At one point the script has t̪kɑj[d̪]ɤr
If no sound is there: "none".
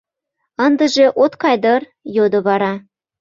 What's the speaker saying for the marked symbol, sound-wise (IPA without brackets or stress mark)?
d̪